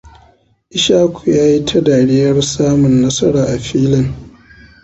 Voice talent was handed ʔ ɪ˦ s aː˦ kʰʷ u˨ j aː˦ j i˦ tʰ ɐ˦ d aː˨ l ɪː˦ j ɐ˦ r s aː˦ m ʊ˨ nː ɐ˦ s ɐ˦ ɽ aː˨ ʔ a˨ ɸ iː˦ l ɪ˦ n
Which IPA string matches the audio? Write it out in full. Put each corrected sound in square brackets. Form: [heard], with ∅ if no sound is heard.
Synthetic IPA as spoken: ʔ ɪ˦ [ʃ] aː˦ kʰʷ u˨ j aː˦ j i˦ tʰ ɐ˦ d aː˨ [ɽ] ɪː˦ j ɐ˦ r s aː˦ m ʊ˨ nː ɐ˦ s ɐ˦ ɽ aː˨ ʔ a˨ ɸ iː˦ l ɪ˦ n

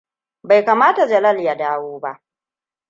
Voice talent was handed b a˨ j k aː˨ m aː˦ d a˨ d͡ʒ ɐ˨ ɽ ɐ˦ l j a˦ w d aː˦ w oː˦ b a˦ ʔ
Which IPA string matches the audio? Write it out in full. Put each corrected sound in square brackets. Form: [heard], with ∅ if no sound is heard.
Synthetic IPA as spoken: b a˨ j k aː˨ m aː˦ [t] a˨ d͡ʒ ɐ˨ [l] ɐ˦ l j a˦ [∅] d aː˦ w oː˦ b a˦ ʔ

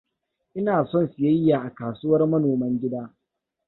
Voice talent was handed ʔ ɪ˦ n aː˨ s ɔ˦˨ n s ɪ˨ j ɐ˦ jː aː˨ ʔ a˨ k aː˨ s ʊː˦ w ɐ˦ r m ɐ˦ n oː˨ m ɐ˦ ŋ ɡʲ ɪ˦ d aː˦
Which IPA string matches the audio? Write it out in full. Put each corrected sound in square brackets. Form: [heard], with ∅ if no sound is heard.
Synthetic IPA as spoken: ʔ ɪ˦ n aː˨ s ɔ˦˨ n s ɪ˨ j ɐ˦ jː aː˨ ʔ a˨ k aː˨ s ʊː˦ w ɐ˦ r m ɐ˦ n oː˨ m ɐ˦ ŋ ɡʲ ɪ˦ d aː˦

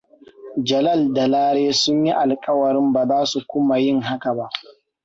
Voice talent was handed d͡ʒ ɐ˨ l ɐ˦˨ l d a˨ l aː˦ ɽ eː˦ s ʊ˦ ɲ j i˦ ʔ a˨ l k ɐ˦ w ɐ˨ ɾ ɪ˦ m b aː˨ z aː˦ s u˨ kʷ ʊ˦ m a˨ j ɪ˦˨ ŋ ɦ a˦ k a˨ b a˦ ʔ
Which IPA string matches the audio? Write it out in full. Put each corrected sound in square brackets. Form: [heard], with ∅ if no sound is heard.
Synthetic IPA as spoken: d͡ʒ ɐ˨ l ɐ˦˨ l d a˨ l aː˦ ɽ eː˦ s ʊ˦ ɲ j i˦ ʔ a˨ l [kʼ] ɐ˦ w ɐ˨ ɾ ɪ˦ m b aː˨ z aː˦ s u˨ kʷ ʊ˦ m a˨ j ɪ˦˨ ŋ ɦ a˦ k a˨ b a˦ ʔ

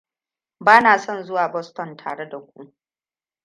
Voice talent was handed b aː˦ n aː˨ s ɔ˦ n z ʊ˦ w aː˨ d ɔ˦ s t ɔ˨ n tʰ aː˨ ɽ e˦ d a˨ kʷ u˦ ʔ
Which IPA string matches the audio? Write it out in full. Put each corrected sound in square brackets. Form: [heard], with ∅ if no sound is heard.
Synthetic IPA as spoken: b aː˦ n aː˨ s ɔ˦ n z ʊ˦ w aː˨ [b] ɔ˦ s t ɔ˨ n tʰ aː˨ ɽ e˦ d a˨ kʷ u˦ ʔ

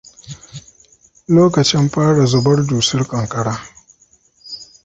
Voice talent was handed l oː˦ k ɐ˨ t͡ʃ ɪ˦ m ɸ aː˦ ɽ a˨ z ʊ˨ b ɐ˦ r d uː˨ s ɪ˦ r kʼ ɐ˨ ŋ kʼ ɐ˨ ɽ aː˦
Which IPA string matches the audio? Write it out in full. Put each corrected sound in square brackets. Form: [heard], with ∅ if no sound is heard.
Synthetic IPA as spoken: l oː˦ k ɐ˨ t͡ʃ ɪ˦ m ɸ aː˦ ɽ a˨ z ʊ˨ b ɐ˦ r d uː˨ s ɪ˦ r kʼ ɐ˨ ŋ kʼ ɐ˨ ɽ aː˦

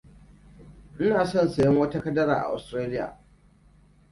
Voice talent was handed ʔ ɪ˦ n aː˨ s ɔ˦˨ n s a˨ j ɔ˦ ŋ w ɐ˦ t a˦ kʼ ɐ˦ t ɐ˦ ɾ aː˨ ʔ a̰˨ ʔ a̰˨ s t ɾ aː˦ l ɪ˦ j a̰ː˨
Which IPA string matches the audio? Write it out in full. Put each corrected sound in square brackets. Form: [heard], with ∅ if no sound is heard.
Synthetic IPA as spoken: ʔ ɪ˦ n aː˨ s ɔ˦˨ n s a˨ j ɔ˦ ŋ w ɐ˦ t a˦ [k] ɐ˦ [d] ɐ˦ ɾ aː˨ ʔ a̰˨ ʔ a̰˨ s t ɾ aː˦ l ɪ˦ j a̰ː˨

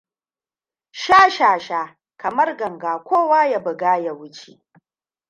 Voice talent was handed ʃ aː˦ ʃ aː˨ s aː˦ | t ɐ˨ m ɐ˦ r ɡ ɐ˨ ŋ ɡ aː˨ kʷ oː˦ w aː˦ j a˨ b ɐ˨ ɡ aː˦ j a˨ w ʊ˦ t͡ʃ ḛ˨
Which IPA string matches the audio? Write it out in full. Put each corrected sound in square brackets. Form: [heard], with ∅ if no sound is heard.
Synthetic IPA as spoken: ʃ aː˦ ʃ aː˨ [ʃ] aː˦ | [k] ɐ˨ m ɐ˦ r ɡ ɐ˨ ŋ ɡ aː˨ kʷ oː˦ w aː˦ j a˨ b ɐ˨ ɡ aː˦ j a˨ w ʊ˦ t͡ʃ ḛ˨

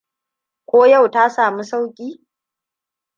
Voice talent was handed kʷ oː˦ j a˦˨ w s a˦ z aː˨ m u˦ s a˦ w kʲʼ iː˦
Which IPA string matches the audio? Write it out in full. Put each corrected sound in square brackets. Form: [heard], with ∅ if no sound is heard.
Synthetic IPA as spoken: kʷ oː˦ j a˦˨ w [t] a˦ [s] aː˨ m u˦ s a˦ w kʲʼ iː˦

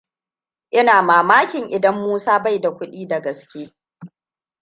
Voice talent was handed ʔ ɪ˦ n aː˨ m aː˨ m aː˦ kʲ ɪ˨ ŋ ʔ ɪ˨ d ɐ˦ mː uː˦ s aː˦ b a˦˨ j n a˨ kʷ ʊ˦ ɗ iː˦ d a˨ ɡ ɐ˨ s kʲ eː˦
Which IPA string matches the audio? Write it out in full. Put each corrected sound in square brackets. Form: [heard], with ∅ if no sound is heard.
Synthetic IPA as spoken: ʔ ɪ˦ n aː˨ m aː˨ m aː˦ kʲ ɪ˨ ŋ ʔ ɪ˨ d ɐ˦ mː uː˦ s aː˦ b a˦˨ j [d] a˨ kʷ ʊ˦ ɗ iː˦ d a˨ ɡ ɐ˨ s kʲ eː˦

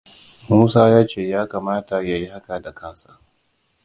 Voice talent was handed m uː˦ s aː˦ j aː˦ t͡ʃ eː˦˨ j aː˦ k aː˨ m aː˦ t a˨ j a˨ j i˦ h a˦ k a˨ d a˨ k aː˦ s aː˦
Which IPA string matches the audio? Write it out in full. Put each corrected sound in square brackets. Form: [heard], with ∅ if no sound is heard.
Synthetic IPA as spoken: m uː˦ s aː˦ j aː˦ t͡ʃ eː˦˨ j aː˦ k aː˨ m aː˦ t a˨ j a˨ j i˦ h a˦ k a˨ d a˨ k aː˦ s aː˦

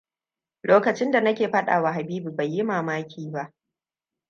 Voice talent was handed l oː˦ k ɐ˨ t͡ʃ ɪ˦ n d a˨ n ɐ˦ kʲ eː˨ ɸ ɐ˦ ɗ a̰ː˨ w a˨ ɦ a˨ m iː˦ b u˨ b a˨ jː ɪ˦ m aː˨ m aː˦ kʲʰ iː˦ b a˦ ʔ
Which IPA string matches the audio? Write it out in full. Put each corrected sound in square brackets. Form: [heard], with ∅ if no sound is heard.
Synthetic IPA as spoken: l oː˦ k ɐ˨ t͡ʃ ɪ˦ n d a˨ n ɐ˦ kʲ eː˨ ɸ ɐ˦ ɗ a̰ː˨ w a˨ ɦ a˨ [b] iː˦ b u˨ b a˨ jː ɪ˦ m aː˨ m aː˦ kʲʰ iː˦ b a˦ ʔ

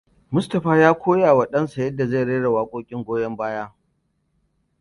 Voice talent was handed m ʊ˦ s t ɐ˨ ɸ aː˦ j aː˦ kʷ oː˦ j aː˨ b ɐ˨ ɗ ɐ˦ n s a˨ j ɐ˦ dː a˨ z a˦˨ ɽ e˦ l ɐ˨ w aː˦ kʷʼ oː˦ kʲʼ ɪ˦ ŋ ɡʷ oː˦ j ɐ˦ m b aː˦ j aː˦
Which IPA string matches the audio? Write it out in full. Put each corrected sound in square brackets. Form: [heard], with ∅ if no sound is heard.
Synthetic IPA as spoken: m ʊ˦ s t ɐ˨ ɸ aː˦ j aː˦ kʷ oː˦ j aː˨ [w] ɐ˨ ɗ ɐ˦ n s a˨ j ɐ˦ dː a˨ z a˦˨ ɽ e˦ [ɽ] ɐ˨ w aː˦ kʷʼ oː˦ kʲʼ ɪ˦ ŋ ɡʷ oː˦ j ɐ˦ m b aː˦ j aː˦

